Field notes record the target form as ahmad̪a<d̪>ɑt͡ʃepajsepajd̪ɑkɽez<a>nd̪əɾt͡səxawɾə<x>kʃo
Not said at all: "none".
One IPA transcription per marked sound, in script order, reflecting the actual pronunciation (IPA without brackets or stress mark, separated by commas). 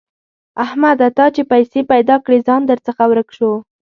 t̪, ɑ, none